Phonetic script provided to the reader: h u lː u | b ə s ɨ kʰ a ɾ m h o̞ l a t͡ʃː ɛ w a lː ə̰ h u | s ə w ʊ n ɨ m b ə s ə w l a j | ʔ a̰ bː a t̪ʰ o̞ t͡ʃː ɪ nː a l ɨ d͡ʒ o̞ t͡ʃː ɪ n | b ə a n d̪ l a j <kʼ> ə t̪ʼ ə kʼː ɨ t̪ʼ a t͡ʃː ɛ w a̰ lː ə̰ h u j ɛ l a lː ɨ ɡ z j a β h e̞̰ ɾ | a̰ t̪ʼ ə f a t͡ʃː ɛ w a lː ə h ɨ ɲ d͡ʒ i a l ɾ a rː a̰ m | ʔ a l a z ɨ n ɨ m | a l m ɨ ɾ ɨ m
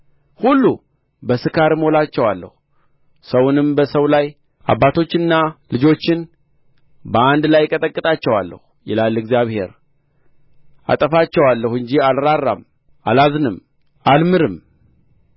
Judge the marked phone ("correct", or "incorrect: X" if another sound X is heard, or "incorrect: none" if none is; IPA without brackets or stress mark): correct